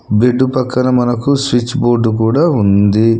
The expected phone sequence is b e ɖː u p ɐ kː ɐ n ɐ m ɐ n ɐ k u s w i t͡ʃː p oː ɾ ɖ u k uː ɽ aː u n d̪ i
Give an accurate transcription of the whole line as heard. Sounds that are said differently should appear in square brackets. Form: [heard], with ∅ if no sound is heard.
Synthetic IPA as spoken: b e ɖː u p ɐ kː ɐ n ɐ m ɐ n ɐ k u s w i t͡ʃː [b] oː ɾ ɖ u k uː ɽ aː u n d̪ i